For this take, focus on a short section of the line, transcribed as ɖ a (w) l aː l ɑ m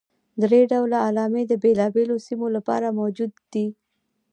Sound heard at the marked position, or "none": w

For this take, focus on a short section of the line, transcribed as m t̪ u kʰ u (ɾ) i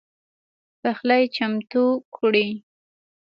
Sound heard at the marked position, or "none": ɽ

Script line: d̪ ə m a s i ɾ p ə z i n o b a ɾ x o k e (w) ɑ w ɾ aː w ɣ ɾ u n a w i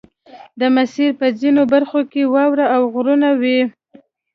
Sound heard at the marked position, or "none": w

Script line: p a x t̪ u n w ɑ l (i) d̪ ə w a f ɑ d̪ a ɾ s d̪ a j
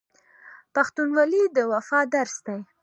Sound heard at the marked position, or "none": i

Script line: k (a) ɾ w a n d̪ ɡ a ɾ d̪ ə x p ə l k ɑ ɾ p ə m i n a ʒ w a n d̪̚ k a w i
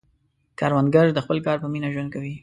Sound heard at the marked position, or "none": ɑ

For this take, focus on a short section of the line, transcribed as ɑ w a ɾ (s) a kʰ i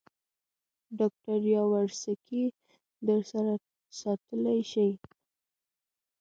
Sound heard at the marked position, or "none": s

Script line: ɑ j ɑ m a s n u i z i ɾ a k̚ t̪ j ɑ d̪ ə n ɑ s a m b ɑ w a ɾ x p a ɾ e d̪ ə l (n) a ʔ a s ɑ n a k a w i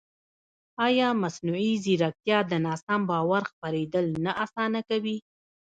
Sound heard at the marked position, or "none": n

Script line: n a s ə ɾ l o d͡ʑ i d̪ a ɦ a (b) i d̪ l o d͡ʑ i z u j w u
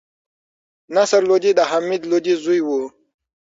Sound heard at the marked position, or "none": m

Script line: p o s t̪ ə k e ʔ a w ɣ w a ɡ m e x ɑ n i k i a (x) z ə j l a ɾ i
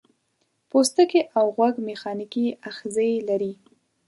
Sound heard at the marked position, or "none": x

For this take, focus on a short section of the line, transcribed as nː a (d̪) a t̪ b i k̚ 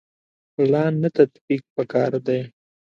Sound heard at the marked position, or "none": t̪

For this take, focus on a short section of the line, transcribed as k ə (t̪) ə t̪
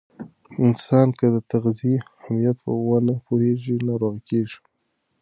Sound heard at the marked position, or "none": d̪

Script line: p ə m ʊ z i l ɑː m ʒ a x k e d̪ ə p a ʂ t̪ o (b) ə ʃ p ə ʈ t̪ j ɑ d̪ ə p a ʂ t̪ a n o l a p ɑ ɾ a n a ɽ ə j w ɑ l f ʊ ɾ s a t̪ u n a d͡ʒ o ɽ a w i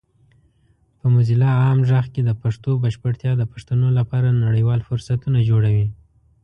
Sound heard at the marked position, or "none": b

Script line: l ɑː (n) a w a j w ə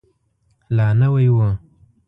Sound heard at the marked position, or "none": n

